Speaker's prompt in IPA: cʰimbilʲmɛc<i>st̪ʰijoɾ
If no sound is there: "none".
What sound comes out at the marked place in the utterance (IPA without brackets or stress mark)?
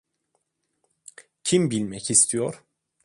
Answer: i